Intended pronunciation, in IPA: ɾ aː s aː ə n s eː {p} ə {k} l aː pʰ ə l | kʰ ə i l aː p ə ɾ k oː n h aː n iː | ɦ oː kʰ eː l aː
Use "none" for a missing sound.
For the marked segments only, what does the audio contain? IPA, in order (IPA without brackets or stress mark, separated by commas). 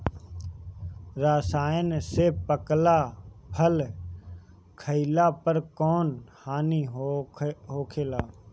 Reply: p, k